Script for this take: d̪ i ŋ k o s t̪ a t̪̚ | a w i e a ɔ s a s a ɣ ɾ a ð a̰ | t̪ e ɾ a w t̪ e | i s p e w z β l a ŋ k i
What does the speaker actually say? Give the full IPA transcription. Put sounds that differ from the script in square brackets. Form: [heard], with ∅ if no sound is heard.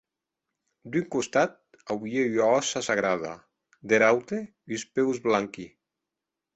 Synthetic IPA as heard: d̪ [y] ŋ k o s t̪ a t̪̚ | a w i e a ɔ s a s a ɣ ɾ a ð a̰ | [d̪] e ɾ a w t̪ e | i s p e w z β l a ŋ k i